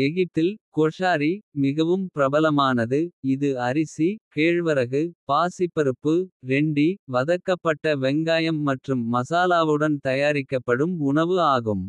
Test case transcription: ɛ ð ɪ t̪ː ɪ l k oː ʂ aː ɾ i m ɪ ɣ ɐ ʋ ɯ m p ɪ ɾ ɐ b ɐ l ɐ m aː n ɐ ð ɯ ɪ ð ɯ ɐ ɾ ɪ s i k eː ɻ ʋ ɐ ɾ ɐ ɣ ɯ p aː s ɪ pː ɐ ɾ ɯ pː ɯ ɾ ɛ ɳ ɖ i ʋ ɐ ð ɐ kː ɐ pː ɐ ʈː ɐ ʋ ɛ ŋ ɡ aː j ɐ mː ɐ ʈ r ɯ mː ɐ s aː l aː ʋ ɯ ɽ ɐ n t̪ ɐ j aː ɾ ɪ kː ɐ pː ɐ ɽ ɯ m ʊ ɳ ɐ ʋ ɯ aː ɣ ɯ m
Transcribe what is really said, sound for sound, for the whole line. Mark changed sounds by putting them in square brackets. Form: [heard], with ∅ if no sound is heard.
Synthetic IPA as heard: ɛ [ɣ] ɪ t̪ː ɪ l k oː ʂ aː ɾ i m ɪ ɣ ɐ ʋ ɯ m p ɪ ɾ ɐ b ɐ l ɐ m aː n ɐ ð ɯ ɪ ð ɯ ɐ ɾ ɪ s i k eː ɻ ʋ ɐ ɾ ɐ ɣ ɯ p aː s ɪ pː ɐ ɾ ɯ pː ɯ ɾ ɛ ɳ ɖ i ʋ ɐ ð ɐ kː ɐ pː ɐ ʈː ɐ ʋ ɛ ŋ ɡ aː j ɐ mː ɐ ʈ r ɯ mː ɐ s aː l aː ʋ ɯ ɽ ɐ n t̪ ɐ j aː ɾ ɪ kː ɐ pː ɐ ɽ ɯ m ʊ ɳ ɐ ʋ ɯ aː ɣ ɯ m